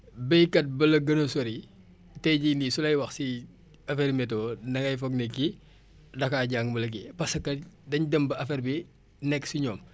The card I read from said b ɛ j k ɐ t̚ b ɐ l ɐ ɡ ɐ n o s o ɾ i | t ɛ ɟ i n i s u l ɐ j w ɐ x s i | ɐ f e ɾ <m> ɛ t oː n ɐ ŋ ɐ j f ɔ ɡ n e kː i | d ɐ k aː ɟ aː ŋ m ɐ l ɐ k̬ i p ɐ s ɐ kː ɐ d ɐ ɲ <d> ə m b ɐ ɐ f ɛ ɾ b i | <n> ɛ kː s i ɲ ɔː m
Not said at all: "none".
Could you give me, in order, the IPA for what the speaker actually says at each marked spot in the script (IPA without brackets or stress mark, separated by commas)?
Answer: m, d, n